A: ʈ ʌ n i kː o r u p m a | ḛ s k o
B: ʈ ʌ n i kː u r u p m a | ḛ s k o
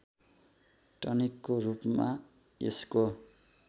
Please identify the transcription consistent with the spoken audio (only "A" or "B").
A